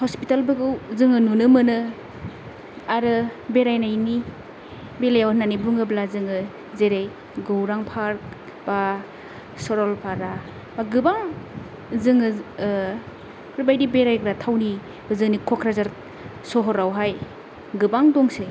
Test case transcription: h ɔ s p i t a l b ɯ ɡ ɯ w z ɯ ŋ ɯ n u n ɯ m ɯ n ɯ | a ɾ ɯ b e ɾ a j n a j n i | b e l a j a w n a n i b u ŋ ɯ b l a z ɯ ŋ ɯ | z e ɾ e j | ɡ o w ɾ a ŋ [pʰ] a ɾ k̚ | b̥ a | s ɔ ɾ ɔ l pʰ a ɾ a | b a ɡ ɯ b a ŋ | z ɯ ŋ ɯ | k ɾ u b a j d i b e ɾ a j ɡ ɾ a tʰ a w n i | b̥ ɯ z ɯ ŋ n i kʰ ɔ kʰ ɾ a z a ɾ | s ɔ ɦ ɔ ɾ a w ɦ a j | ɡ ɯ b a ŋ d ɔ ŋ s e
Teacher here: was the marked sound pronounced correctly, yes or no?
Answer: yes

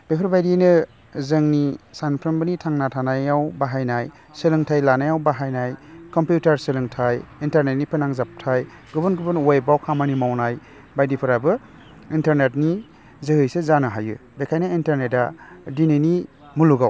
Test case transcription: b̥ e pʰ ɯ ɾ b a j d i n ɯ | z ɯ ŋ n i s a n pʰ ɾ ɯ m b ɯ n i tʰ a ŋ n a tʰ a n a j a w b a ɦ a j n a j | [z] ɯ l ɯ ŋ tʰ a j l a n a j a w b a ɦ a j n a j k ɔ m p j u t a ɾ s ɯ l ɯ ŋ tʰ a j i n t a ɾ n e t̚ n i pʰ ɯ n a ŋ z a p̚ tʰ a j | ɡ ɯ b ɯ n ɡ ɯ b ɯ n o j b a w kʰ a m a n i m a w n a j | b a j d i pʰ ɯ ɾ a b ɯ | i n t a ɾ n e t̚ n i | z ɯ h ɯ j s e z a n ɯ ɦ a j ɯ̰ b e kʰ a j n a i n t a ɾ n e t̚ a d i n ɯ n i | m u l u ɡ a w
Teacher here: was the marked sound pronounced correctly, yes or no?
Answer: no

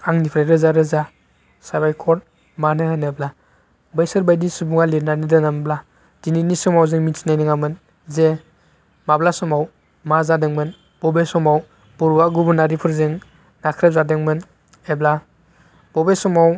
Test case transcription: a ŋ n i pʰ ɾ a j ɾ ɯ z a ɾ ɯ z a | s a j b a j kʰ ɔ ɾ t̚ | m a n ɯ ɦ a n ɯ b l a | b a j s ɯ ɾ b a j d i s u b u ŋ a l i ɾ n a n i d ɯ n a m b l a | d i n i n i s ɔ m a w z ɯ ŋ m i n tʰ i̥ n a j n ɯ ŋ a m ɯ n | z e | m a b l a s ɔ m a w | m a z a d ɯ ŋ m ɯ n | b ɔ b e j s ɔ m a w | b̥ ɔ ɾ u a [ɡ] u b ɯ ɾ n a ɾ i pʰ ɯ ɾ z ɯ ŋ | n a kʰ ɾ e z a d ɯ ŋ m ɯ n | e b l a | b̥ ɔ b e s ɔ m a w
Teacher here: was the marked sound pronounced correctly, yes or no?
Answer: yes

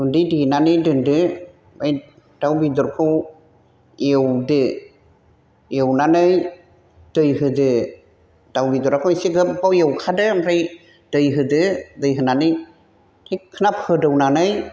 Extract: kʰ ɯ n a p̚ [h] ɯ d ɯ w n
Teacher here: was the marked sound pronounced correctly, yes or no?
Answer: yes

